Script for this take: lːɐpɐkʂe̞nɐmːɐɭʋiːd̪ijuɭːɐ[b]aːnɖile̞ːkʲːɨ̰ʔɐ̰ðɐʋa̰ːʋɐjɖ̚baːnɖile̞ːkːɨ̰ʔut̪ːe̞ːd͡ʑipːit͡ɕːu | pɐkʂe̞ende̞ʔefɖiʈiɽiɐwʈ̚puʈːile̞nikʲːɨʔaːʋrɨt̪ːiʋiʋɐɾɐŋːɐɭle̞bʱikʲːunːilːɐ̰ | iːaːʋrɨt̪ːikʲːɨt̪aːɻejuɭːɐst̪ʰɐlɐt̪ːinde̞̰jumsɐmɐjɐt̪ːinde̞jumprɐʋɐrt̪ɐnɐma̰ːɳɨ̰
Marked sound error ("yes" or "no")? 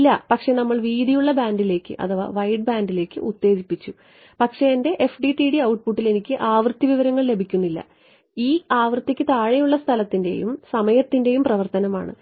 no